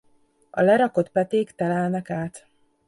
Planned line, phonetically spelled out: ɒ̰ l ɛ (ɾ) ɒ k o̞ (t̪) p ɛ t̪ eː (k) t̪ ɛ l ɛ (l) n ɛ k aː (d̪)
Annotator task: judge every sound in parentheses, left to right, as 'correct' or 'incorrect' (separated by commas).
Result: correct, correct, correct, correct, incorrect